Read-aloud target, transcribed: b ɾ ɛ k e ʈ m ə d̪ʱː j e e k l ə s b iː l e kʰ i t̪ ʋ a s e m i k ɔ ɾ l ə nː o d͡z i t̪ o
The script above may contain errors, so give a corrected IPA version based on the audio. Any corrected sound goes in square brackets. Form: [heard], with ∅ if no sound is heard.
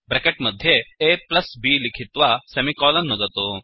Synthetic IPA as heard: b ɾ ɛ k e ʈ m ə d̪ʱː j e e [p] l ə s b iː l [i] kʰ i t̪ ʋ a s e m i k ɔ [∅] l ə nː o d͡z [a] t̪ o